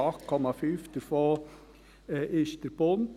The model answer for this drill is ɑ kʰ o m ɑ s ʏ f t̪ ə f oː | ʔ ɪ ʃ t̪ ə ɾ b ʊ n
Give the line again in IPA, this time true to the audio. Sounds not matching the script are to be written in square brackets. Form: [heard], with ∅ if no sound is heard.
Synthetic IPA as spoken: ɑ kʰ [ɔ] m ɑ [f] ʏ f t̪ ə f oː | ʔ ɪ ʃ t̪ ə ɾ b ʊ n